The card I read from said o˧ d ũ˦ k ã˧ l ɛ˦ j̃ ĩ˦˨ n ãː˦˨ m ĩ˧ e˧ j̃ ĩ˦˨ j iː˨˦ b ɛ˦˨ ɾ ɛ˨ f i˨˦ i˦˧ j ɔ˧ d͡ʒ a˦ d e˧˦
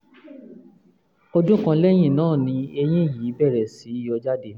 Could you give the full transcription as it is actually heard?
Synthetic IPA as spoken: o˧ d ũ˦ k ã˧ l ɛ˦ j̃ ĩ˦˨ n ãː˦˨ n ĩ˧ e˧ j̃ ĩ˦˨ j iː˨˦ b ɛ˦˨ ɾ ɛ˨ s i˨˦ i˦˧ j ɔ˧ d͡ʒ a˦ d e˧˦